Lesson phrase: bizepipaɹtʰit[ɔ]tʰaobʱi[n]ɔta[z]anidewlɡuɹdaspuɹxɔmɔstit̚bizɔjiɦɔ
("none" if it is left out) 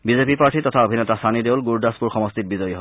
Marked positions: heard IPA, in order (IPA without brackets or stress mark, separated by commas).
ɔ, n, s